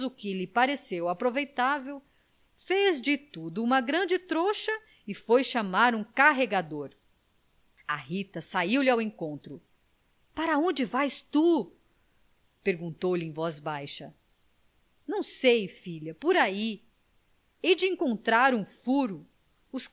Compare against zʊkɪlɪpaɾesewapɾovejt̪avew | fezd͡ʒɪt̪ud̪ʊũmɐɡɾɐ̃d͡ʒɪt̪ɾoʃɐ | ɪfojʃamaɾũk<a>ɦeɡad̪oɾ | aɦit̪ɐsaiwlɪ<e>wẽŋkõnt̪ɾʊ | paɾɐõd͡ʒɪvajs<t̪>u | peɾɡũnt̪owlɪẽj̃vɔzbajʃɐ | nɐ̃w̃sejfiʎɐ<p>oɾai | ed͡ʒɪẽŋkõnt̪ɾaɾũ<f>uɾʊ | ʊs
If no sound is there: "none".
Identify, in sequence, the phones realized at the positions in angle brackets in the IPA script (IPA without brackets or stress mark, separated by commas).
a, a, t̪, p, f